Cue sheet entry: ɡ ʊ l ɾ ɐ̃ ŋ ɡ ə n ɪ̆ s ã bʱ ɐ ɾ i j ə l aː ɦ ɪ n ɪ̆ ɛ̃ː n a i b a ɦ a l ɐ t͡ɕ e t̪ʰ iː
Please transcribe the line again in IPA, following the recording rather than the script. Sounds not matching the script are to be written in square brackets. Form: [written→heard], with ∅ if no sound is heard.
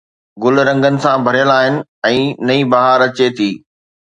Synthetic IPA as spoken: ɡ ʊ l ɾ ɐ̃ ŋ ɡ ə n ɪ̆ s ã bʱ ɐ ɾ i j ə l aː ɦ ɪ n ɪ̆ ɛ̃ː n [a→ɐ] i b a ɦ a [l→ɾ] ɐ t͡ɕ e t̪ʰ iː